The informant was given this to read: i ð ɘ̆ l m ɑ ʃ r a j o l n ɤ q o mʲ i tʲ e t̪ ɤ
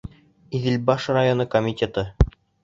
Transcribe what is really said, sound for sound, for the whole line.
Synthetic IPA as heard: i ð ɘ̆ l b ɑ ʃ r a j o n ɤ k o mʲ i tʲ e t̪ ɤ

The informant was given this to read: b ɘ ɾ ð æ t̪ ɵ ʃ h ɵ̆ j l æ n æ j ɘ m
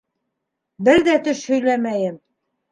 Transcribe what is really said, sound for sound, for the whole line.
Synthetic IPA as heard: b ɘ ɾ ð æ t̪ ɵ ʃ h ɵ̆ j l æ m æ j ɘ m

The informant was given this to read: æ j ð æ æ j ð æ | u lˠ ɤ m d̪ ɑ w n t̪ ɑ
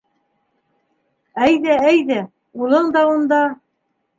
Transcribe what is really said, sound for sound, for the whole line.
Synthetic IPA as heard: æ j ð æ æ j ð æ | u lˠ ɤ ɴ d̪ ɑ u n d̪ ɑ

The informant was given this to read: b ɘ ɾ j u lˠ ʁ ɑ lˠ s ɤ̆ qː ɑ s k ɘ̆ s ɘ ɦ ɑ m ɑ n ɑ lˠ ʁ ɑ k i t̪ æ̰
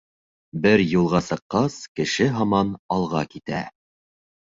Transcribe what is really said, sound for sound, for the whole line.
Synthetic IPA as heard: b ɘ ɾ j u lˠ ʁ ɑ s ɤ̆ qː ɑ s k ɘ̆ ʃ ɘ ɦ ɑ m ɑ n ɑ lˠ ʁ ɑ k i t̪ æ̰

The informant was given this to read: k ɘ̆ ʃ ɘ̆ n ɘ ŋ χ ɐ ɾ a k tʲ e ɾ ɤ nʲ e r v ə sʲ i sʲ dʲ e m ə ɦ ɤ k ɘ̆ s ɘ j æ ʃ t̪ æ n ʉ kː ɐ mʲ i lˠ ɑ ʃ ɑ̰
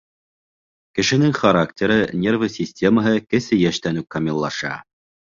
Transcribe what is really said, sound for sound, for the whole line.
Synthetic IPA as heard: k ɘ̆ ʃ ɘ̆ n ɘ ŋ χ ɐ ɾ a k tʲ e ɾ ɤ nʲ e r v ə sʲ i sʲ tʲ e m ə ɦ ɤ k ɘ̆ s ɘ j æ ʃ t̪ æ n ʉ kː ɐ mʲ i lˠː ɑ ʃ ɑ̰

